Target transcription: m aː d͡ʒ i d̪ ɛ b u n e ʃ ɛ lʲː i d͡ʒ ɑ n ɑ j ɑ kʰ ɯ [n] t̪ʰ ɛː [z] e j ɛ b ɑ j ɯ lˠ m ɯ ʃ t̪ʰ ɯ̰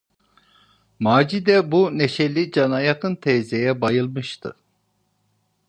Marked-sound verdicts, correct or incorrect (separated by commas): correct, correct